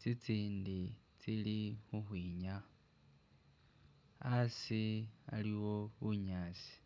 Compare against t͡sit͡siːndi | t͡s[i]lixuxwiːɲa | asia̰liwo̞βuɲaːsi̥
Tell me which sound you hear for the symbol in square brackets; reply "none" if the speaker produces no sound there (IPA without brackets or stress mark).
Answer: i